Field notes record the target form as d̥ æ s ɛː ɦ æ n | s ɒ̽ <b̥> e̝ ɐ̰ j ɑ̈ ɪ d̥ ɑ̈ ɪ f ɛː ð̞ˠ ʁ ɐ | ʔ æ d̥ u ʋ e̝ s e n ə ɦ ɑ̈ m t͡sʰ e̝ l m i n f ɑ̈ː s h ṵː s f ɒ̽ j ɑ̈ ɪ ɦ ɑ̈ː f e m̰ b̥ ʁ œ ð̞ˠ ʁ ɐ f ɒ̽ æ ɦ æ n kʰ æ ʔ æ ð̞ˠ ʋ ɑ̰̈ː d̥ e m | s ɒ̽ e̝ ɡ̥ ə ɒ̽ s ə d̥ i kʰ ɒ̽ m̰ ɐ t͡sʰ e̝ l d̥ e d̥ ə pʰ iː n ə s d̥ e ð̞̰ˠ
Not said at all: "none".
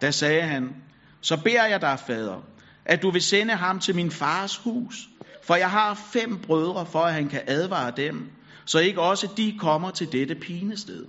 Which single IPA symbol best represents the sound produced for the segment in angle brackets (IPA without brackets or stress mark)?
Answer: b̥